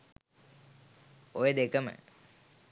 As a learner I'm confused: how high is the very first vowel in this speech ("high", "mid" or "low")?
mid